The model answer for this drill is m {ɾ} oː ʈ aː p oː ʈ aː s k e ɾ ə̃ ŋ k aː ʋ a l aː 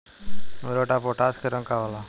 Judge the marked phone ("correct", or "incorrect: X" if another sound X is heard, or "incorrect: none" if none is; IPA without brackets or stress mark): correct